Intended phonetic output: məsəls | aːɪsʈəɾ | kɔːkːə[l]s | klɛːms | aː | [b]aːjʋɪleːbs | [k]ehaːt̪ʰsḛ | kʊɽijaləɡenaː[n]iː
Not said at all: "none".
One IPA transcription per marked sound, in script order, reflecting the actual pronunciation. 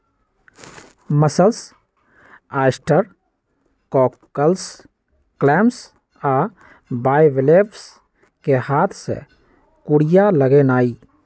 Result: l, b, k, none

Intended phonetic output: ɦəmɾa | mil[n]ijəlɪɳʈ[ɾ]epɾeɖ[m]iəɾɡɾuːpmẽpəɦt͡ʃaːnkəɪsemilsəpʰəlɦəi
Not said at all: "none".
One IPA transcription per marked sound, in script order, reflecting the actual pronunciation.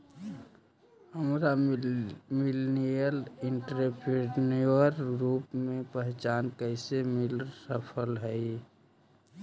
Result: n, ɾ, n

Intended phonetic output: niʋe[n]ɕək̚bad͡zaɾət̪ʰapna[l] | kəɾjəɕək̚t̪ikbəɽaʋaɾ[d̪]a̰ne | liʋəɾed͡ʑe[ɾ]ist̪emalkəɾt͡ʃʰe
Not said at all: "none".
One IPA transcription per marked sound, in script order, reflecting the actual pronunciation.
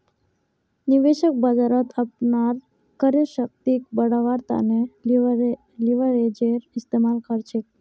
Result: none, ɾ, t̪, ɾ

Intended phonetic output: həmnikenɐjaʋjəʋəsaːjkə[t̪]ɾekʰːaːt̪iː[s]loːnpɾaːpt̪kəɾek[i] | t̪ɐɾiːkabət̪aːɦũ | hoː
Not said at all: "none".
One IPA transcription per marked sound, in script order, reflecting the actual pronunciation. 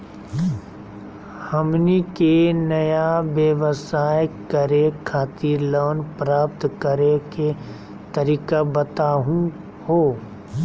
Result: none, none, e

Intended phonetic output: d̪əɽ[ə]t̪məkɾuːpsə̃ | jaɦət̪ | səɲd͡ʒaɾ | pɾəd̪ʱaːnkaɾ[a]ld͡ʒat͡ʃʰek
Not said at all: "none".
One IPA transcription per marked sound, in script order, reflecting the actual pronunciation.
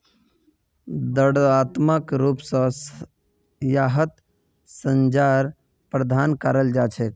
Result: a, ə

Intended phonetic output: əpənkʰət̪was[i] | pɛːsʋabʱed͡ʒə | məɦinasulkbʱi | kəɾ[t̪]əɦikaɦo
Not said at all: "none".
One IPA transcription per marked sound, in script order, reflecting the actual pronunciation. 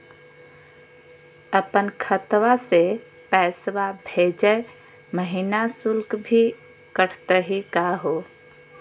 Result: e, t̪

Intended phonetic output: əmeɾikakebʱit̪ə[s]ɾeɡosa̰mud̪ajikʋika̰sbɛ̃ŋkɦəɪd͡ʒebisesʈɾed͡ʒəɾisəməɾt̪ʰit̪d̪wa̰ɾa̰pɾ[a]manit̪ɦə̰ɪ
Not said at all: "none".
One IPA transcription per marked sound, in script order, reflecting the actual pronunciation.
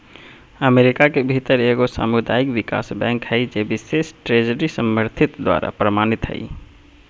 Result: none, ə

